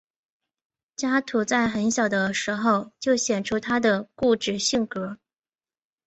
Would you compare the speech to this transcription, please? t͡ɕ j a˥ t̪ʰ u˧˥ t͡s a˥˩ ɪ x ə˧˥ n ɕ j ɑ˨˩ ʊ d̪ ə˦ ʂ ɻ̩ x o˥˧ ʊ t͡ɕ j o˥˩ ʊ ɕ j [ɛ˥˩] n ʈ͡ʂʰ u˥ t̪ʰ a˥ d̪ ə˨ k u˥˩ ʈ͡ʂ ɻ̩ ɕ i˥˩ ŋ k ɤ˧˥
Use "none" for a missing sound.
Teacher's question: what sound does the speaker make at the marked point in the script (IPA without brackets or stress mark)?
ɛ˨˩